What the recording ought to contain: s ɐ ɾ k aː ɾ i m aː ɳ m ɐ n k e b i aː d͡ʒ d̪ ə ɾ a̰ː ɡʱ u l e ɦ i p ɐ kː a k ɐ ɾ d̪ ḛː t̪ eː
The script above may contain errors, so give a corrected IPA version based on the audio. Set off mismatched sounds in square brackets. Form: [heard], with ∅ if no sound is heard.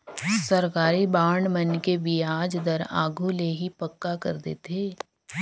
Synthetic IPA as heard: s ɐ ɾ k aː ɾ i [b] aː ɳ m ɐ n k e b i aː d͡ʒ d̪ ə ɾ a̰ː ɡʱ u l e ɦ i p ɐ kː a k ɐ ɾ d̪ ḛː t̪ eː

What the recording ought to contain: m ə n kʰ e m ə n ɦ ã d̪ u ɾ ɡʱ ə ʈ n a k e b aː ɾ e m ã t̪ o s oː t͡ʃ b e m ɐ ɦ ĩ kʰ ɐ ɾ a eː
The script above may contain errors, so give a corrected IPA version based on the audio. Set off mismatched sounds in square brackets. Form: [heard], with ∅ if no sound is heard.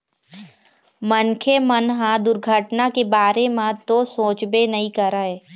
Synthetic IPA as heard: m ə n kʰ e m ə n ɦ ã d̪ [ʊ] ɾ ɡʱ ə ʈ n a k e b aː ɾ e m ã t̪ o s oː t͡ʃ b e [n] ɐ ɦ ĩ [k] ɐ ɾ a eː

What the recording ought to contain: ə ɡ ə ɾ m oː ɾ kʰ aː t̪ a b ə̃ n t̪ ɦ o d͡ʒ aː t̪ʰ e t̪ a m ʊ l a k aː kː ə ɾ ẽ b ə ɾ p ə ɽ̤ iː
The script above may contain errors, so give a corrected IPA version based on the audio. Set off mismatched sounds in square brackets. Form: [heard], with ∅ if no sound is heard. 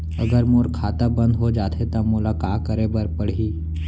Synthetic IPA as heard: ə ɡ ə ɾ m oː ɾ kʰ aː t̪ a b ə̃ n [d̪] ɦ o d͡ʒ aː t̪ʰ e t̪ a m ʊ l a k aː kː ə ɾ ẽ b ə ɾ p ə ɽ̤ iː

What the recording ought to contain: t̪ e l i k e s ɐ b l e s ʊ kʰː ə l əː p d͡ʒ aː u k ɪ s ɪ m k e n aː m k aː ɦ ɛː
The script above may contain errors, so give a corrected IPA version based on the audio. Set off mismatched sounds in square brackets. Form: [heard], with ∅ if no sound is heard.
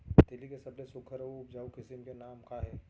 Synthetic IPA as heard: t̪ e l i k e s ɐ b l e s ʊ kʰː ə [ɾ] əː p d͡ʒ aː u k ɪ s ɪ m k e n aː m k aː ɦ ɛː

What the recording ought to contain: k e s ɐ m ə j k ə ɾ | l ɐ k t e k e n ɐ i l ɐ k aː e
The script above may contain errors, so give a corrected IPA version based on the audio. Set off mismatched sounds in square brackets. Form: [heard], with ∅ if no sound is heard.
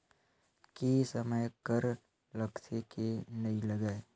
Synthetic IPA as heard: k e s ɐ m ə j k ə ɾ | l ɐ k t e k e n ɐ i l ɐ [ɡ] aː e

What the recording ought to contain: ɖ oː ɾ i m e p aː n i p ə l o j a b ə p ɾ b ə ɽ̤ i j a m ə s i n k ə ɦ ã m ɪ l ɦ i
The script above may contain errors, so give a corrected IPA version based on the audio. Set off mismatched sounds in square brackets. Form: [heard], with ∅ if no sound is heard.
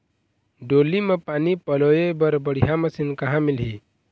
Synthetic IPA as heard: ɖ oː [l] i m e p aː n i p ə l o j [e] b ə [∅] ɾ b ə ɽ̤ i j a m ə s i n k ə ɦ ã m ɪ l ɦ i

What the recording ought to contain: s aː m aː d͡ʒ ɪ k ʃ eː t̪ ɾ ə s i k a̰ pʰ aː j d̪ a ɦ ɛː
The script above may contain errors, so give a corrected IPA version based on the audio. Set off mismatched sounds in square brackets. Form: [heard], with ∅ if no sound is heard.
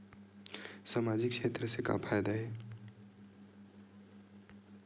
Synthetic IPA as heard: s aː m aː d͡ʒ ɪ k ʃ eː t̪ ɾ ə s [e] k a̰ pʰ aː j d̪ a ɦ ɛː

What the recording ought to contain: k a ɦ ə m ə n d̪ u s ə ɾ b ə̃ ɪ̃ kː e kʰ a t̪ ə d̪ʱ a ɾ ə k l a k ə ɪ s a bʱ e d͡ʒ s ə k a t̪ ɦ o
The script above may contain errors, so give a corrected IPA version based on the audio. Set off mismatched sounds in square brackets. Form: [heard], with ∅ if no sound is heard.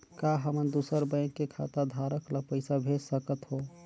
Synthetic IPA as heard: k a ɦ ə m ə n d̪ u s ə ɾ b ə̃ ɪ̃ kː e kʰ a t̪ [a] d̪ʱ a ɾ ə k l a [p] ə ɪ s a bʱ e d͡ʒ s ə k [ə] t̪ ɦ o

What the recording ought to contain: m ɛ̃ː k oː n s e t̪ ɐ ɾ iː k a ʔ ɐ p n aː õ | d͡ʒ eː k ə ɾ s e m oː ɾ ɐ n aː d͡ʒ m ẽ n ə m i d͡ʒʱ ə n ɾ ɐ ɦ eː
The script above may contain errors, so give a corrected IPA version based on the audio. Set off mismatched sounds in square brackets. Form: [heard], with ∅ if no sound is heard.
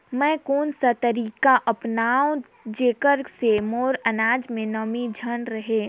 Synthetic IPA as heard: m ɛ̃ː k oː n s [a] t̪ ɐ ɾ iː k a ʔ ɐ p n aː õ | d͡ʒ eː k ə ɾ s e m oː ɾ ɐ n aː d͡ʒ m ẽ n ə m i d͡ʒʱ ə n ɾ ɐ ɦ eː

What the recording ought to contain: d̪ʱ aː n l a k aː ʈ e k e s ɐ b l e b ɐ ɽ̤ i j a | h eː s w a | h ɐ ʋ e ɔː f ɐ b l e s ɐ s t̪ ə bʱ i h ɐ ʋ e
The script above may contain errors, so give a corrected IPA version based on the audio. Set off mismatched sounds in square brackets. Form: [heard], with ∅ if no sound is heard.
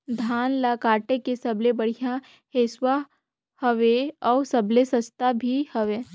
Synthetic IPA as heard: d̪ʱ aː n l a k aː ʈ e k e s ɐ b l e b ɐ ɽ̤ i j a | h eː s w a | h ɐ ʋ e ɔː [s] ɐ b l e s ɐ s t̪ [a] bʱ i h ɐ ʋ e

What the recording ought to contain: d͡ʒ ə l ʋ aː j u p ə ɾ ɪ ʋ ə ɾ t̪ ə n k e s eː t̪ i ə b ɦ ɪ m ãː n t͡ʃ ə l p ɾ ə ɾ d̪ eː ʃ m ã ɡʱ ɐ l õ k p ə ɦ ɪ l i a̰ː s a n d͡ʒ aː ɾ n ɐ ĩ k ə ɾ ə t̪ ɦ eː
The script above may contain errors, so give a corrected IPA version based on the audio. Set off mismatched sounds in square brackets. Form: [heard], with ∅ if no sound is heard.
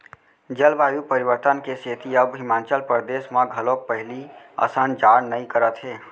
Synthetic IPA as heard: d͡ʒ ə l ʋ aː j u p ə ɾ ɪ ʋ ə ɾ t̪ ə n k e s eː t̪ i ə b ɦ ɪ m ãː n t͡ʃ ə l p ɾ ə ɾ d̪ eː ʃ m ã ɡʱ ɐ l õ k p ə ɦ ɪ l i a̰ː s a n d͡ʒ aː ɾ n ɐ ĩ k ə ɾ ə t̪ ɦ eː

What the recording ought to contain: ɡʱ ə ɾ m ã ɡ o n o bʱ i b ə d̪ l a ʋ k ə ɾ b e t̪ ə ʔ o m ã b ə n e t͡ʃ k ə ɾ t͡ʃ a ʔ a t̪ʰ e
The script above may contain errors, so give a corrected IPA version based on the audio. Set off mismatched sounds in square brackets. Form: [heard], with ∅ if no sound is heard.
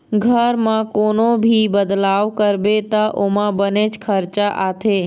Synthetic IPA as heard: ɡʱ ə ɾ m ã [k] o n o bʱ i b ə d̪ l a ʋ k ə ɾ b e t̪ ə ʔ o m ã b ə n e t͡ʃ [kʰ] ə ɾ t͡ʃ a ʔ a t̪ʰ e

